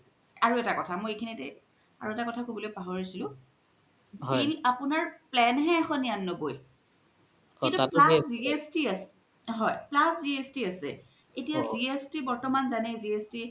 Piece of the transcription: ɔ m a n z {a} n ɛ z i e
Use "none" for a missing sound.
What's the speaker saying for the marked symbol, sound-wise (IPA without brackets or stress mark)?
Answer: a